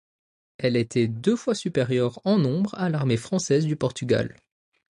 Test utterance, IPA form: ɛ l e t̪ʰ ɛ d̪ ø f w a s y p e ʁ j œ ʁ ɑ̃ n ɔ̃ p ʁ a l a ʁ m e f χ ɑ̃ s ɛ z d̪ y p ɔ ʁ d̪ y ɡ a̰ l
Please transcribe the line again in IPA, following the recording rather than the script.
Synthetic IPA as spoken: ɛ l e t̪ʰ ɛ d̪ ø f w a s y p e ʁ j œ ʁ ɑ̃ n ɔ̃ b ʁ a l a ʁ m e f χ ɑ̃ s ɛ z d̪ y p ɔ ʁ t̪ y ɡ a̰ l

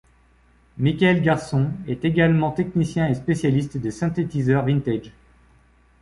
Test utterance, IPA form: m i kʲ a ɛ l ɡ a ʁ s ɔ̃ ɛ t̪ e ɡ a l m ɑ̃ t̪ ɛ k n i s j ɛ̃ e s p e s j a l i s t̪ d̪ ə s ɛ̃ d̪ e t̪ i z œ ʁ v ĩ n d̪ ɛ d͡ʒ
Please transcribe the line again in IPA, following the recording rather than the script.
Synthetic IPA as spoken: m i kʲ a ɛ l ɡ a ʁ s ɔ̃ ɛ t̪ e ɡ a l m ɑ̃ t̪ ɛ k n i s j ɛ̃ e s p e s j a l i s t̪ d̪ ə s ɛ̃ t̪ e t̪ i z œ ʁ v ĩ n t̪ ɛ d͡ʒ

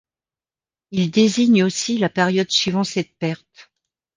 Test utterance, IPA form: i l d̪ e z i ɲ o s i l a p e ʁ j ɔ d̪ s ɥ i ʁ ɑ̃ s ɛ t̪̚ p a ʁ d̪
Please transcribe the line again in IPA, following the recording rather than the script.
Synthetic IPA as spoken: i l d̪ e z i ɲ o s i l a p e ʁ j ɔ d̪ s ɥ i v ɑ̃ s ɛ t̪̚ p ɛ ʁ t̪

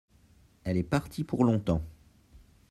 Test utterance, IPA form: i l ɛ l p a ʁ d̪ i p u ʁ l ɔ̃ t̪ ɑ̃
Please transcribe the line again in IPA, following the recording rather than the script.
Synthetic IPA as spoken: ɛ l ɛ p a ʁ t̪ i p u ʁ l ɔ̃ t̪ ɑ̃

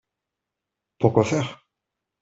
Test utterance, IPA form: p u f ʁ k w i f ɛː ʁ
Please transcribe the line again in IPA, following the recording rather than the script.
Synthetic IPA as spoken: p u ʁ k w a f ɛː ʁ

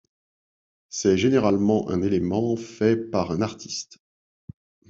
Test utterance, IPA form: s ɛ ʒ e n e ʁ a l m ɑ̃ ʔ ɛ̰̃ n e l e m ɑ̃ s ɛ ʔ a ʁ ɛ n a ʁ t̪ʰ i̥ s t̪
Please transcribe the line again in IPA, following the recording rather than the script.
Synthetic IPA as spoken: s ɛ ʒ e n e ʁ a l m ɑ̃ ʔ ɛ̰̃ n e l e m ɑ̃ f ɛ p a ʁ ɛ̃ n a ʁ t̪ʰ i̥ s t̪

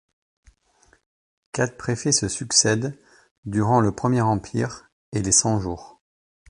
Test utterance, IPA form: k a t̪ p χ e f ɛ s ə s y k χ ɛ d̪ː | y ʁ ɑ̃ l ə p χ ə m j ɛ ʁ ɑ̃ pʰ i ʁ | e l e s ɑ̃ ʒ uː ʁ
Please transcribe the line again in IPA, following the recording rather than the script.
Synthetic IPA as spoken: k a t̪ p χ e f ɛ s ə s y k s ɛ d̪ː | y ʁ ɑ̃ l ə p χ ə m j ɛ ʁ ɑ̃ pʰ i ʁ | e l e s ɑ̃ ʒ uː ʁ

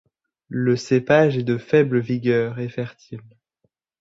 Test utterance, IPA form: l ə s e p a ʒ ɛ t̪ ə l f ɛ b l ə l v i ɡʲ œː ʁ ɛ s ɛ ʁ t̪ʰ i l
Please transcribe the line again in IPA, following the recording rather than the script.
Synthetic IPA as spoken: l ə s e p a ʒ ɛ d̪ ə f ɛ b l ə v i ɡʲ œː ʁ ɛ f ɛ ʁ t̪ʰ i l

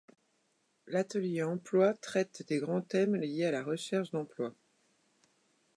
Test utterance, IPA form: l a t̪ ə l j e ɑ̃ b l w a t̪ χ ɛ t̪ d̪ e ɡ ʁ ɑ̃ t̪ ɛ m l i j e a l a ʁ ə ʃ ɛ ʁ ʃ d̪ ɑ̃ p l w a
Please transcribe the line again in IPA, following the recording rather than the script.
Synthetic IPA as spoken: l a t̪ ə l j e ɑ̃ p l w a t̪ χ ɛ t̪ d̪ e ɡ ʁ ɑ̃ t̪ ɛ m l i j e a l a ʁ ə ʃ ɛ ʁ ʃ d̪ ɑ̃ p l w a

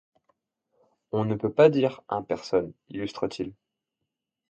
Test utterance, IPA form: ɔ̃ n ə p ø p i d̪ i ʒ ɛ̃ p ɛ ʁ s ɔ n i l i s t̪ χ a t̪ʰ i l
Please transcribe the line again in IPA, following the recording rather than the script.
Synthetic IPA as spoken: ɔ̃ n ə p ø p a d̪ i ʁ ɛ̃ p ɛ ʁ s ɔ n i l y s t̪ χ ə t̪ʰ i l

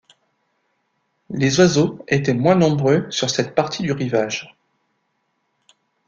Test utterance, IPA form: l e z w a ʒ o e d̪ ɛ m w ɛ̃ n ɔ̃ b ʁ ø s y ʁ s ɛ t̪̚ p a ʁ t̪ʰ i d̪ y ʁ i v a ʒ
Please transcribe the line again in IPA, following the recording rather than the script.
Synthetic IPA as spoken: l e z w a z o e t̪ ɛ m w ɛ̃ n ɔ̃ b ʁ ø s y ʁ s ɛ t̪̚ p a ʁ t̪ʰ i d̪ y ʁ i v a ʒ

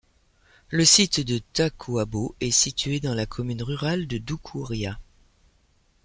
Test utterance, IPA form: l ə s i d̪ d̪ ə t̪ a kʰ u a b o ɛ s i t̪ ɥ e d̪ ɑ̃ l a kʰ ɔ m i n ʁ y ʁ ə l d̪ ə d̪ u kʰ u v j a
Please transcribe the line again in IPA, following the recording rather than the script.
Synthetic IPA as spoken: l ə s i t̪ d̪ ə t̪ a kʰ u a b o ɛ s i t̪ ɥ e d̪ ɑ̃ l a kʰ ɔ m y n ʁ y ʁ a l d̪ ə d̪ u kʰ u ʁ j a

